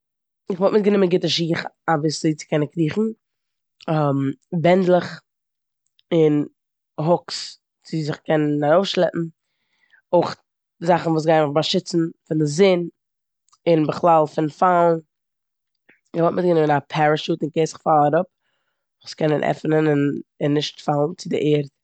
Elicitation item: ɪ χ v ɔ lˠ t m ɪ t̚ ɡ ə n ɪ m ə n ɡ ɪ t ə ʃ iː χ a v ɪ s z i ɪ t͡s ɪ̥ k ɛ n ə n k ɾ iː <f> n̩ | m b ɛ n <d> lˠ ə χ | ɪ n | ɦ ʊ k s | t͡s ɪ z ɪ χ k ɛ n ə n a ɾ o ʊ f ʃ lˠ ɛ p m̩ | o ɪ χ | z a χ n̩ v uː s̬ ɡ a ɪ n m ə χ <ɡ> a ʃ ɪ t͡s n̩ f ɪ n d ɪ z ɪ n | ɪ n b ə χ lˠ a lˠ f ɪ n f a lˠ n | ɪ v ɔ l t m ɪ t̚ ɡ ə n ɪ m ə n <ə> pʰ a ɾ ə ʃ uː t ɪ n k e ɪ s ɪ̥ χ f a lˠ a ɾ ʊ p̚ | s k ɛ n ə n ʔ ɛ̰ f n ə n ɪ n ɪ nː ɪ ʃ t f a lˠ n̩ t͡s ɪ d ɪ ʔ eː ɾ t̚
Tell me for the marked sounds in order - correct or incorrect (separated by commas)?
incorrect, correct, incorrect, incorrect